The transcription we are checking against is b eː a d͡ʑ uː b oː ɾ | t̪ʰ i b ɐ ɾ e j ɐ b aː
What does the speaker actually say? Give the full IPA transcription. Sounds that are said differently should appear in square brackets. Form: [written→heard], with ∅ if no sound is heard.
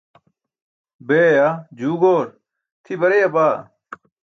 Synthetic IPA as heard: b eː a d͡ʑ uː [b→ɡ] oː ɾ | t̪ʰ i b ɐ ɾ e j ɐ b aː